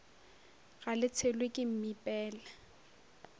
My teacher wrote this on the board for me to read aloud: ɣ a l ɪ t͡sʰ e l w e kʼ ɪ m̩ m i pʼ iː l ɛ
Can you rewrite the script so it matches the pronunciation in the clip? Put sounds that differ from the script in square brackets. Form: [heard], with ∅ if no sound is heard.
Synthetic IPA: ɣ a l ɪ t͡sʰ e l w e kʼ ɪ m̩ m i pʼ [ɛː] l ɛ